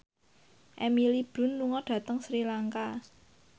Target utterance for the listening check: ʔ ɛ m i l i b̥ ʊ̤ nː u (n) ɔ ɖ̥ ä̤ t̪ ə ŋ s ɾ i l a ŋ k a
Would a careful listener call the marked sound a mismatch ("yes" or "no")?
yes